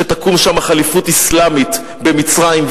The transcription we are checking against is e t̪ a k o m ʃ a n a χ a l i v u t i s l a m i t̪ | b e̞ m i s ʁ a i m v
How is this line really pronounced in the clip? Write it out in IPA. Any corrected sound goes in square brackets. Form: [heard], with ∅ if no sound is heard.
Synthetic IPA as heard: e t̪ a k [u] m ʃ a [m] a χ a l i [f] u t i s l a m i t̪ | b e̞ m i [t͡s] ʁ a i m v